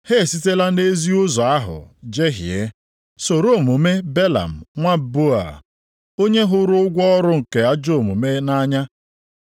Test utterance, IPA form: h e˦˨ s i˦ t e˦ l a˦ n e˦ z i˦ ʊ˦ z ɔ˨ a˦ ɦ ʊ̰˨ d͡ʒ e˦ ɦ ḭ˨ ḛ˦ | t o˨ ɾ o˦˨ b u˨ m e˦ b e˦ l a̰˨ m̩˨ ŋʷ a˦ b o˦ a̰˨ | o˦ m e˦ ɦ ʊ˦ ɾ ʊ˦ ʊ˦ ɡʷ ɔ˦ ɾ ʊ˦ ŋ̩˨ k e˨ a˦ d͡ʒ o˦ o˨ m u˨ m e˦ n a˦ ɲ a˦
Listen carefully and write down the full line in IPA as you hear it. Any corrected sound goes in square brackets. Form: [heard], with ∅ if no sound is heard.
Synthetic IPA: h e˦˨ s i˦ t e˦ l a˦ n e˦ z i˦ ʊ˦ z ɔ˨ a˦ ɦ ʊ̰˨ d͡ʒ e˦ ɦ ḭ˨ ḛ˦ | [s] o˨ ɾ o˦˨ [m] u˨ m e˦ b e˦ l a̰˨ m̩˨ ŋʷ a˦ b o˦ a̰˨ | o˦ [ɲ] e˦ ɦ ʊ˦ ɾ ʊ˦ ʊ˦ ɡʷ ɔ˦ ɾ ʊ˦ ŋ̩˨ k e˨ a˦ d͡ʒ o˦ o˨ m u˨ m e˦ n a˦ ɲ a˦